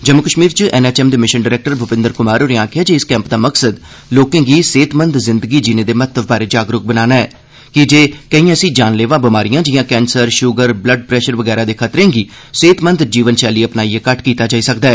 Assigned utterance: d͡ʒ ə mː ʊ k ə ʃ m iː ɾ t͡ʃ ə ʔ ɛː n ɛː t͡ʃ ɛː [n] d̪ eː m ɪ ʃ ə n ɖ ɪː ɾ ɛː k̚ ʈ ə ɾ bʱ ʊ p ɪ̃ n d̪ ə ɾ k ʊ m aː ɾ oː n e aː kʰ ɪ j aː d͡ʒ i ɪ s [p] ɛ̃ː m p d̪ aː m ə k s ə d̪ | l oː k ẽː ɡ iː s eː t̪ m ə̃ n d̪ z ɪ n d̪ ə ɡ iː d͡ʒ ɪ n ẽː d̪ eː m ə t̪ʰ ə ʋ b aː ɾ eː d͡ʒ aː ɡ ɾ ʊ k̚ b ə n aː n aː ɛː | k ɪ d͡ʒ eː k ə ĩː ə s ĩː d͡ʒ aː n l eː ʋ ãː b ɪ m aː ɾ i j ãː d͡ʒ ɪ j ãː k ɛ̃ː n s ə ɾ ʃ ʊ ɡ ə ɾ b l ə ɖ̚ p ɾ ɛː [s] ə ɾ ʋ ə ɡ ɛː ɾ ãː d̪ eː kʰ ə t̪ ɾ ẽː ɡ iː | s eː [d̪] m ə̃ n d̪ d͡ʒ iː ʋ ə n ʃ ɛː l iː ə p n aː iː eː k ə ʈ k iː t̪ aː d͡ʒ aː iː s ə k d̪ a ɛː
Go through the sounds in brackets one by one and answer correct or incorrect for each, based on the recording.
incorrect, incorrect, incorrect, incorrect

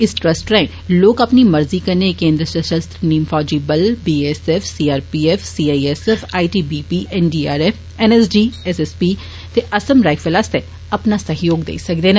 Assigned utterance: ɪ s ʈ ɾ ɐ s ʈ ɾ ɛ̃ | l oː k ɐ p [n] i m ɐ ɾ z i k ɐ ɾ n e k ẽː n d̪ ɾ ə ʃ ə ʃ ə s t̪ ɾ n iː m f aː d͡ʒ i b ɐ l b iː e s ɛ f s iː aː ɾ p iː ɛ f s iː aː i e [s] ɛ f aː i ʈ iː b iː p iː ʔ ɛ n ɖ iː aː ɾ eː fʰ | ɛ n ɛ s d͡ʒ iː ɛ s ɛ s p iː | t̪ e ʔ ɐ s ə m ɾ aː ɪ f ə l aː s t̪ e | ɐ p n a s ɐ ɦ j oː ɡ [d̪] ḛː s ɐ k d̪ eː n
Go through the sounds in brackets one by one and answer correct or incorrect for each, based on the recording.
correct, correct, correct

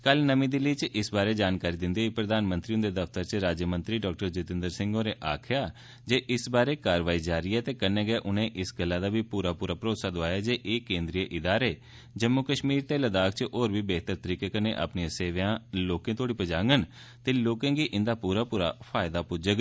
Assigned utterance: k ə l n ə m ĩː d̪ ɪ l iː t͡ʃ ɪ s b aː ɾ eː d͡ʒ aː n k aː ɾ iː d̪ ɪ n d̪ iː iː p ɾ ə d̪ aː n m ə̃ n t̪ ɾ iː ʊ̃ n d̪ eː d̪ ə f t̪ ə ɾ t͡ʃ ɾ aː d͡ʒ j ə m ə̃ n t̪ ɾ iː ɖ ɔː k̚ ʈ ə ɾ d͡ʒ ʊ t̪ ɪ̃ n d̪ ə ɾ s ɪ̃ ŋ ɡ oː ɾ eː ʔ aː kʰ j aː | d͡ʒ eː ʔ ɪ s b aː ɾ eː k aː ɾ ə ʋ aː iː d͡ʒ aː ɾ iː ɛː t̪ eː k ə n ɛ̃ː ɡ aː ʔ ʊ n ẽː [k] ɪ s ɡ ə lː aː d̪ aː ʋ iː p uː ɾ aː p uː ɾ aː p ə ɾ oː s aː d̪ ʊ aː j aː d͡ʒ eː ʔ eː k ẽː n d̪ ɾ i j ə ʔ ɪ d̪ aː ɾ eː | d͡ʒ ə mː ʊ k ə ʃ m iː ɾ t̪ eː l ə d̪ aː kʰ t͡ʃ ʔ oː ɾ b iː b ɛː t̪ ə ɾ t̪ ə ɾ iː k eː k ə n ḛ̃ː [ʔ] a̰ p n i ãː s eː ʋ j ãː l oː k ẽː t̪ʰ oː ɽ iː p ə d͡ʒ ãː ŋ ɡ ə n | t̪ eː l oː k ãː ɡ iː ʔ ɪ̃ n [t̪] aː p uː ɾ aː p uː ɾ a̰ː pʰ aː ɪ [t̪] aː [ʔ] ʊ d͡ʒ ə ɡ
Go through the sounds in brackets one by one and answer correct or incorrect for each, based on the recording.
incorrect, correct, incorrect, incorrect, incorrect

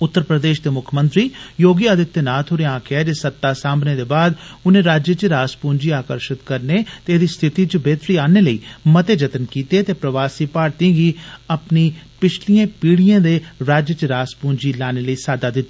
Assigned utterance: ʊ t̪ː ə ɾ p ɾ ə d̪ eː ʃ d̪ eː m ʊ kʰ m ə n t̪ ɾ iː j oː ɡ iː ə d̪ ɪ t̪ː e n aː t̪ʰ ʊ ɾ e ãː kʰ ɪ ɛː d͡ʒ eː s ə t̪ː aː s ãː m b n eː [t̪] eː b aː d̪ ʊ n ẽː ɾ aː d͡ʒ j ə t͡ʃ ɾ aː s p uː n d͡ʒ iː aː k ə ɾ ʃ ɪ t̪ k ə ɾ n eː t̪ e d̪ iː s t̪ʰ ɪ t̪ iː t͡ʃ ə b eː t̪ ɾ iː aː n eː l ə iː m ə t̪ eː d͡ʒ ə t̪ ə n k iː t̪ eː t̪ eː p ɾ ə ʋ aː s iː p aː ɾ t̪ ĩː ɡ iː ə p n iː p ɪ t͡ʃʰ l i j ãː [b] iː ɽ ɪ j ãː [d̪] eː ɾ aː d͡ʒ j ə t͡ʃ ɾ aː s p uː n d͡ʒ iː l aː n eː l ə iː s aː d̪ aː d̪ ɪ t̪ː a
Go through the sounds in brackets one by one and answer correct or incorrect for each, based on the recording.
incorrect, incorrect, correct

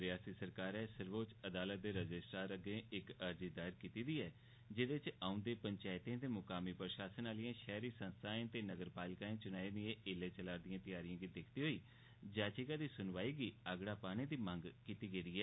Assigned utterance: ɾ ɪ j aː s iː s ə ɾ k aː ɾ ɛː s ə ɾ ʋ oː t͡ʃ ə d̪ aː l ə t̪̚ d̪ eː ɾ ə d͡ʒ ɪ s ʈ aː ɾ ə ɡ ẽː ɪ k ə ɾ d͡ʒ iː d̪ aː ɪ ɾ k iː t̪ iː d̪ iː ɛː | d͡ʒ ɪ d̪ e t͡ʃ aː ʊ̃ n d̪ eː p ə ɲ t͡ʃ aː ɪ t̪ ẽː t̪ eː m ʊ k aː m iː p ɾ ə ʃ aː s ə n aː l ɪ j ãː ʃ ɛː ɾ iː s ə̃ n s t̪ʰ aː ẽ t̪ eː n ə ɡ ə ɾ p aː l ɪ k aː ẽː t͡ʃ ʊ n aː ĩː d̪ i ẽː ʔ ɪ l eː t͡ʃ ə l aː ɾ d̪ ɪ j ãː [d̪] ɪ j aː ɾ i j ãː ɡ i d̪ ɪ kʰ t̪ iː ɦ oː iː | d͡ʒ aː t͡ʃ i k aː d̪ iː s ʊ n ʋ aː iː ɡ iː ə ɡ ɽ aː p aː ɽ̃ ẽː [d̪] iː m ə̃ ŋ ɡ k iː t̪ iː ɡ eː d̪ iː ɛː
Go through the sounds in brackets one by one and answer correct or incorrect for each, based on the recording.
incorrect, correct

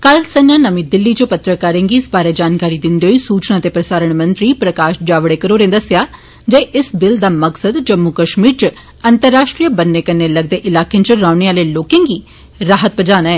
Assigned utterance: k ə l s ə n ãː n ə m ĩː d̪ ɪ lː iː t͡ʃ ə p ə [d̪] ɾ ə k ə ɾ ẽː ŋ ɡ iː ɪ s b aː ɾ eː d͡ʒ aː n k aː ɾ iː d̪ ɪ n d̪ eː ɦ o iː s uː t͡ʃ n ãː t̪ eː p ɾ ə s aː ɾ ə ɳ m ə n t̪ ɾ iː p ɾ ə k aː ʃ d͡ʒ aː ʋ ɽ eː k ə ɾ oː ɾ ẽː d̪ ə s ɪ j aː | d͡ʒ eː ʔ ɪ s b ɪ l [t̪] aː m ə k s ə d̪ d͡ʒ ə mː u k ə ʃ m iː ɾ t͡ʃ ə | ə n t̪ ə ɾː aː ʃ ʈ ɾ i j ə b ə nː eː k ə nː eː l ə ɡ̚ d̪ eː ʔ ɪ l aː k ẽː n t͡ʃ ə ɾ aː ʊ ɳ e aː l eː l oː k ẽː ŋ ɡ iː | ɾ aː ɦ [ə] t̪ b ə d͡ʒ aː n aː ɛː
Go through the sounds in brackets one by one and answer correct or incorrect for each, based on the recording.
incorrect, incorrect, correct

